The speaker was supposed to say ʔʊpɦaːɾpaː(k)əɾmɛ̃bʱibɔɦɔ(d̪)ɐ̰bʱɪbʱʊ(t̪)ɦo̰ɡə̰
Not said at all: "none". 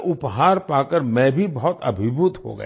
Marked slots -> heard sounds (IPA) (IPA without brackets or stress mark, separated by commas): k, t̪, t̪